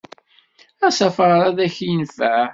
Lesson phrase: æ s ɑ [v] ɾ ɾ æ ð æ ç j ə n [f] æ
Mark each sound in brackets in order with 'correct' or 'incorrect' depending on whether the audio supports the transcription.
incorrect: f, correct

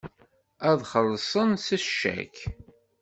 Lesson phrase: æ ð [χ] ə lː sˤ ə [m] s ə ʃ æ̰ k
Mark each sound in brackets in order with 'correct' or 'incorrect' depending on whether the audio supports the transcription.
correct, incorrect: n

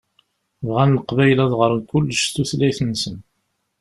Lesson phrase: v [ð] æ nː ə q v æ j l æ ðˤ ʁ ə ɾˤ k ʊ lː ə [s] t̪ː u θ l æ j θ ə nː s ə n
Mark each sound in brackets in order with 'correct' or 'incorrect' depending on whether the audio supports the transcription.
incorrect: ʁ, incorrect: ʃ

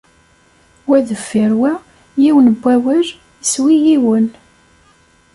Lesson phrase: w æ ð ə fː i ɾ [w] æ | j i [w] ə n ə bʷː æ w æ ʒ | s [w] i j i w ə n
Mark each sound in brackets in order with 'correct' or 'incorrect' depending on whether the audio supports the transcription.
correct, correct, correct

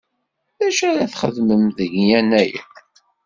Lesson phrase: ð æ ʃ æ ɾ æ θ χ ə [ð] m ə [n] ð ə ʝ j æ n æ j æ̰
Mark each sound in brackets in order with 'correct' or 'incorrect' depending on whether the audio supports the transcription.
correct, incorrect: m

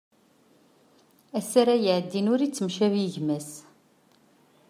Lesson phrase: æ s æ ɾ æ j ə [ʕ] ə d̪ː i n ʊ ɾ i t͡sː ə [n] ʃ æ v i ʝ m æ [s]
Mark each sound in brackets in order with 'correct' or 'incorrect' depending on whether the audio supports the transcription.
correct, incorrect: m, correct

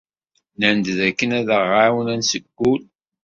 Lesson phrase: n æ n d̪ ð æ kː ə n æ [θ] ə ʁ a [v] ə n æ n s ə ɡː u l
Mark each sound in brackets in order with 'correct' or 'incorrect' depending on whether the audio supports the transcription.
incorrect: ð, incorrect: w

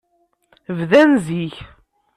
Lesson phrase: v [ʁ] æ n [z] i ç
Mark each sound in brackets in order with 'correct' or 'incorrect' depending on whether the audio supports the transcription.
incorrect: ð, correct

